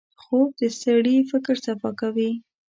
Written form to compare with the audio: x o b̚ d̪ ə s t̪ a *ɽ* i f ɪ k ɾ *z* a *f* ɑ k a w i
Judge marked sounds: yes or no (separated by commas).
yes, no, yes